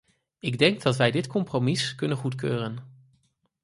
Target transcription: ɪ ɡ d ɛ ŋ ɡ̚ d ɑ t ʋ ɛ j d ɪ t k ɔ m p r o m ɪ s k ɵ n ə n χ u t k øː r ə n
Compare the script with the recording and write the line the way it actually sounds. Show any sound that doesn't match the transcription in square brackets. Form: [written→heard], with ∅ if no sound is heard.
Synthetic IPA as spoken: ɪ ɡ d ɛ ŋ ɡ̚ d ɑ t ʋ ɛ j d ɪ t k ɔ m p r o m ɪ s k ɵ n ə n χ u t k øː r ə n